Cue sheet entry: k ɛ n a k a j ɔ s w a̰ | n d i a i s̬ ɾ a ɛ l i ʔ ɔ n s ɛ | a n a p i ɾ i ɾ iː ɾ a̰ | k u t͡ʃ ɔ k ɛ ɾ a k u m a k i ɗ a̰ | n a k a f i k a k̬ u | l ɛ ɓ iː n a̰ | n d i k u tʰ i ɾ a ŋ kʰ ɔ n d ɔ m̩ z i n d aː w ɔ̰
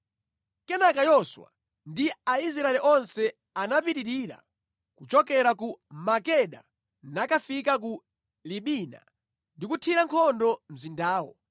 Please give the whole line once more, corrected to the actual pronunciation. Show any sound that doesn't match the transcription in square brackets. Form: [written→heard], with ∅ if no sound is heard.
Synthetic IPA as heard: k ɛ n a k a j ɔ s w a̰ | n d i a i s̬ ɾ a ɛ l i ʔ ɔ n s ɛ | a n a p i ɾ i ɾ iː ɾ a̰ | k u t͡ʃ ɔ k ɛ ɾ a k u m a k [i→ɛ] ɗ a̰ | n a k a f i k a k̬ u | l [ɛ→i] ɓ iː n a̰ | n d i k u tʰ i ɾ a ŋ kʰ ɔ n d ɔ m̩ z i n d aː w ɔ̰